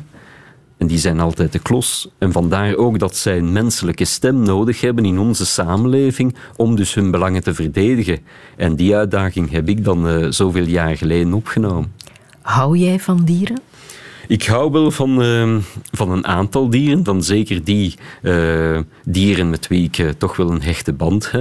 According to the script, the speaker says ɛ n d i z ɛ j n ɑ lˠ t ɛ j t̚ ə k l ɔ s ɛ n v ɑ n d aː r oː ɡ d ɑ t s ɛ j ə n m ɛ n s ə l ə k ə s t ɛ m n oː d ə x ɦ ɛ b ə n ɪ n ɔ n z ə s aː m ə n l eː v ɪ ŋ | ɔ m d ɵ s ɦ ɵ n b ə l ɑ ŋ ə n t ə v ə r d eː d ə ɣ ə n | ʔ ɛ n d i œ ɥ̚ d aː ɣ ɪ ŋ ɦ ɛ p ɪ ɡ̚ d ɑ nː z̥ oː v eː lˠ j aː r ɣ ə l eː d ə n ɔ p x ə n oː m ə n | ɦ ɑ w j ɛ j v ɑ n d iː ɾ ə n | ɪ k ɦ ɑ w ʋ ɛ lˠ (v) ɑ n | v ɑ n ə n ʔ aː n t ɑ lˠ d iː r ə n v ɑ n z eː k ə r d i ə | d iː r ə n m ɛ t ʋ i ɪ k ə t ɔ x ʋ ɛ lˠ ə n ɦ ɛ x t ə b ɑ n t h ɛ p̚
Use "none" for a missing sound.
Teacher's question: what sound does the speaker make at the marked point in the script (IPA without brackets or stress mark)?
v